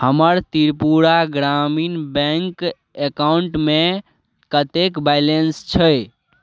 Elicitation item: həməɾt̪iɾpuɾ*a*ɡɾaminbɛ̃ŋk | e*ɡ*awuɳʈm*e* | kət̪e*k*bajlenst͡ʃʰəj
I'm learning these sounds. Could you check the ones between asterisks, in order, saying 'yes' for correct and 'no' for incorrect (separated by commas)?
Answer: yes, no, yes, yes